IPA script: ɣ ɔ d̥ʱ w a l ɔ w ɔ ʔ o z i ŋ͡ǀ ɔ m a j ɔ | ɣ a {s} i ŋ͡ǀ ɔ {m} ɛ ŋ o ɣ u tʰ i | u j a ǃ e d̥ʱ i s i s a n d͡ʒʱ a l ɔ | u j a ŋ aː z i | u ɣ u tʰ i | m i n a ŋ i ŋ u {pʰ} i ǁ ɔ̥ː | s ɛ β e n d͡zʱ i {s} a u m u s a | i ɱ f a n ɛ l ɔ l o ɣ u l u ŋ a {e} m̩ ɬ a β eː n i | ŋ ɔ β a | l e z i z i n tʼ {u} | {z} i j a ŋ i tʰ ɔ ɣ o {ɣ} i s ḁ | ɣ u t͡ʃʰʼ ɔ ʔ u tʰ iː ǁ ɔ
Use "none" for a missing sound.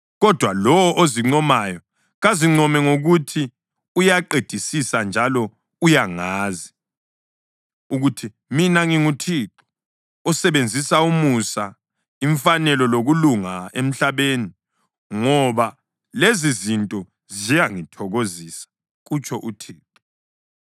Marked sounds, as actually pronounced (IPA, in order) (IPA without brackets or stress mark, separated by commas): z, m, tʰ, s, e, ɔ, z, z